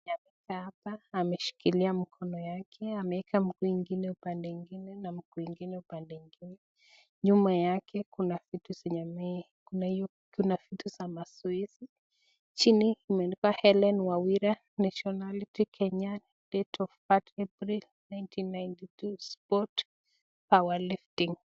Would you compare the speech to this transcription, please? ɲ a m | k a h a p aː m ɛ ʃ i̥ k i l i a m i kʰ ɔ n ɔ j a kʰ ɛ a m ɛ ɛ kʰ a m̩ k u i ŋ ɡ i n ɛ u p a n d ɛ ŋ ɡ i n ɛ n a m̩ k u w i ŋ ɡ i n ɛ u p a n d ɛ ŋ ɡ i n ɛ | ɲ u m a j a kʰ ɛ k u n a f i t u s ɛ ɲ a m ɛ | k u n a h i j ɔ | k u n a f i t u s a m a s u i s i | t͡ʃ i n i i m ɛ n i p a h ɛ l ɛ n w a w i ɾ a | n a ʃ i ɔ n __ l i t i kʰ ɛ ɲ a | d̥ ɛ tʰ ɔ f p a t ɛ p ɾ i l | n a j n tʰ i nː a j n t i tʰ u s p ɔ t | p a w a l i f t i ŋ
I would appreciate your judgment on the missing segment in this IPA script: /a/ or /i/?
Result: a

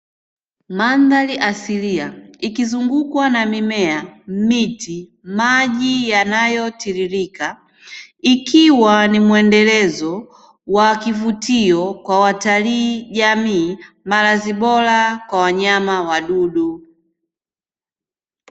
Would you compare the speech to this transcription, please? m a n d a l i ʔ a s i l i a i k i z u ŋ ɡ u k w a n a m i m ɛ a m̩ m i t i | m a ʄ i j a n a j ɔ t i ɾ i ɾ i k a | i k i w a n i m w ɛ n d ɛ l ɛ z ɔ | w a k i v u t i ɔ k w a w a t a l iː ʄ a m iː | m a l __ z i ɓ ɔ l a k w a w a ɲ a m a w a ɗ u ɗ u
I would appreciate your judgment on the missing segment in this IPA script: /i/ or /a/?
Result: a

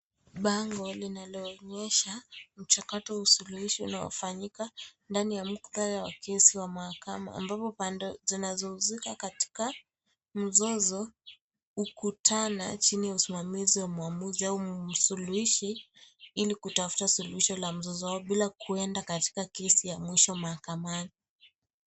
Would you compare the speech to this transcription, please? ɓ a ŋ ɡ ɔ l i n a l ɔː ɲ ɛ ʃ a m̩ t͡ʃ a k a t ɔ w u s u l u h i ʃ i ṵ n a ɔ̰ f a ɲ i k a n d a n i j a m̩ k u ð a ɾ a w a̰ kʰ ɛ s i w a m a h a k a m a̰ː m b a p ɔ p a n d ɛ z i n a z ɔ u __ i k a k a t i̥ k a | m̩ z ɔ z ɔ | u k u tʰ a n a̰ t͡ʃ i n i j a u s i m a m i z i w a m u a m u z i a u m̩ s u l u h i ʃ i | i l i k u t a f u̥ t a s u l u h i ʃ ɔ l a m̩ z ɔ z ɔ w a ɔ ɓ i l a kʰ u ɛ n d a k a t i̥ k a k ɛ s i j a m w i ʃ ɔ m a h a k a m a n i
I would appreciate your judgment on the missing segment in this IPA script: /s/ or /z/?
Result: z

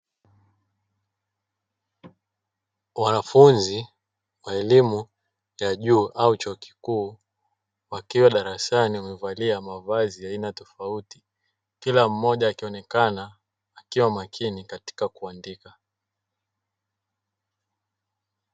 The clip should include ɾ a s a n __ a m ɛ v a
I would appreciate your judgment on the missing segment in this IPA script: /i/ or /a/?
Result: i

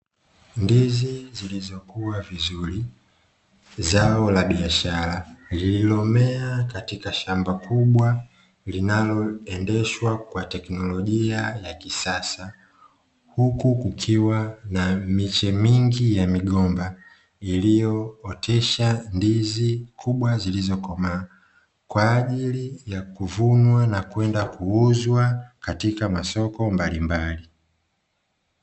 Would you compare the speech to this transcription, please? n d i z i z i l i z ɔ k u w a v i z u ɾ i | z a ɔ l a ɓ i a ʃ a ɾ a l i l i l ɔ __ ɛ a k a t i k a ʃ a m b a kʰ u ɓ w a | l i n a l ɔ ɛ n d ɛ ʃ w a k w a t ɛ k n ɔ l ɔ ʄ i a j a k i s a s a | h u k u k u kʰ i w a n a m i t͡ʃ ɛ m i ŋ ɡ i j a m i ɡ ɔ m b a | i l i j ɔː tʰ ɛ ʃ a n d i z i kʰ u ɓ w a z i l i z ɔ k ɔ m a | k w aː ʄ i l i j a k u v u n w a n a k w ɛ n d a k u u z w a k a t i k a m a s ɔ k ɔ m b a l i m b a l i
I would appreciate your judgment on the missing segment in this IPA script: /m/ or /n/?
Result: m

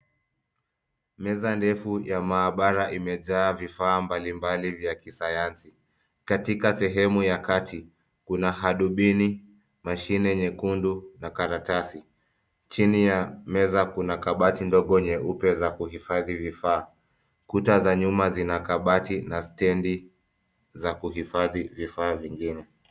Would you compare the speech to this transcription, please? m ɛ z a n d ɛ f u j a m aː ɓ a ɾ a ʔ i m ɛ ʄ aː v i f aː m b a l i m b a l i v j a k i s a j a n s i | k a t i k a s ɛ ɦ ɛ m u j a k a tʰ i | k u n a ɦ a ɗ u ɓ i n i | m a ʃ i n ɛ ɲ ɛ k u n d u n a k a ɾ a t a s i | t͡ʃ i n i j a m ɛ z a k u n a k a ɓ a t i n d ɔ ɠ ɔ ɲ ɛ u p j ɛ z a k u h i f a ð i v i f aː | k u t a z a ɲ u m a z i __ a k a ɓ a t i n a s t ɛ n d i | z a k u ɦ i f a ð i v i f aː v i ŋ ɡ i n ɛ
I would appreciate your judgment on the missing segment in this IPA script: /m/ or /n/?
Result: n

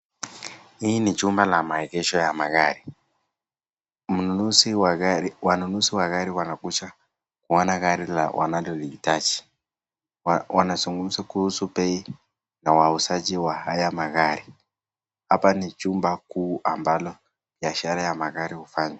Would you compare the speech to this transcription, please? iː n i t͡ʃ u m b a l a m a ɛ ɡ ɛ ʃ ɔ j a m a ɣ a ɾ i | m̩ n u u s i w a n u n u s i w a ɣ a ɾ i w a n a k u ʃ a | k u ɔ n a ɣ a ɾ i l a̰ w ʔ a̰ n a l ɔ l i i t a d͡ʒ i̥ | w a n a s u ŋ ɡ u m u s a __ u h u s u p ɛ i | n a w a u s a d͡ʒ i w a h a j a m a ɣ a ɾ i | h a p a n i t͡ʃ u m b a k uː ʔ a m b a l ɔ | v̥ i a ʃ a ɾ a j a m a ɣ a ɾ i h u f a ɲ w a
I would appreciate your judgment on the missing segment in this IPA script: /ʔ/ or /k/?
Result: k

